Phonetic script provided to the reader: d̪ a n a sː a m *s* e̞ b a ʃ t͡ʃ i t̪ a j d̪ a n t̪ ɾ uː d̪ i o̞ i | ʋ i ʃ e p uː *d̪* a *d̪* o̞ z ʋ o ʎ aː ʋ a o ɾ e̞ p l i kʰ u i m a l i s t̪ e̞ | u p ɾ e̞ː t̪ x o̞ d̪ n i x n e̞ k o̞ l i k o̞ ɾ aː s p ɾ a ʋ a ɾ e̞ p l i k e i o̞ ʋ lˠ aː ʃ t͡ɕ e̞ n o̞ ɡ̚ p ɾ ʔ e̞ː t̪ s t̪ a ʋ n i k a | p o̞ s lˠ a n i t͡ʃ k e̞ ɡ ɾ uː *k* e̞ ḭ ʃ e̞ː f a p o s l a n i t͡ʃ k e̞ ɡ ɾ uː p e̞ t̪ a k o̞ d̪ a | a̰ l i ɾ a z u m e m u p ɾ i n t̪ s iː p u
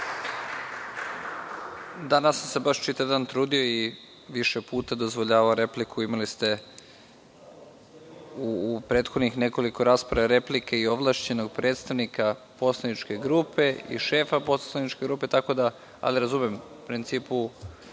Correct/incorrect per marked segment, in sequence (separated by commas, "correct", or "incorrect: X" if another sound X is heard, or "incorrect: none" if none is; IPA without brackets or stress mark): correct, incorrect: t̪, correct, incorrect: p